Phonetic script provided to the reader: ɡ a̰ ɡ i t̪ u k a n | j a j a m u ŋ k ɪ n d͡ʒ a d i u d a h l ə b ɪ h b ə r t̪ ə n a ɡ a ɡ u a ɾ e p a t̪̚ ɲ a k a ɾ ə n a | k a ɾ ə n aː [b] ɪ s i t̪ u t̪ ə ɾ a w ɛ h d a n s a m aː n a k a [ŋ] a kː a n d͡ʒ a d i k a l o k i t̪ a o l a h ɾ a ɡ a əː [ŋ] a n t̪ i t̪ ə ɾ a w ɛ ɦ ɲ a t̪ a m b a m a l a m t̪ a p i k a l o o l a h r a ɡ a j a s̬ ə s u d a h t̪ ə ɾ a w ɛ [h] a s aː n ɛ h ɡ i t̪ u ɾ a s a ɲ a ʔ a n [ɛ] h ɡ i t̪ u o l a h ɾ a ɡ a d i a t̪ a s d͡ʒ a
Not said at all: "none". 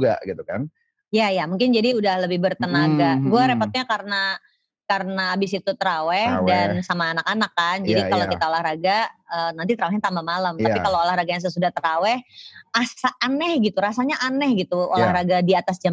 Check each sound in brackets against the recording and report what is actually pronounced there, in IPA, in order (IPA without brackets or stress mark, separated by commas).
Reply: b, n, n, h, ɛ